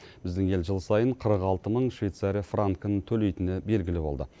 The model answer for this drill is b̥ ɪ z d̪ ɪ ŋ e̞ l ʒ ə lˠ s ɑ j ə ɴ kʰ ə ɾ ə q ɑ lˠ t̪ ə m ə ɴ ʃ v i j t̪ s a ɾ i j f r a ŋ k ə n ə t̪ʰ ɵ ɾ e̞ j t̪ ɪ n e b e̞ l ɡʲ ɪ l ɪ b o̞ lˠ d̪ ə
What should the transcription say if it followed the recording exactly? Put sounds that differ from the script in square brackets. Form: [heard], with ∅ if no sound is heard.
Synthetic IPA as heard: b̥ ɪ z d̪ ɪ ŋ e̞ l ʒ ə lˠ s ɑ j ə ɴ [qʰ] ə ɾ ə q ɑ lˠ t̪ ə m ə ɴ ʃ v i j t̪ s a ɾ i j f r a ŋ k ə n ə t̪ʰ ɵ [l] e̞ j t̪ ɪ n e b e̞ l ɡʲ ɪ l ɪ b o̞ lˠ d̪ ə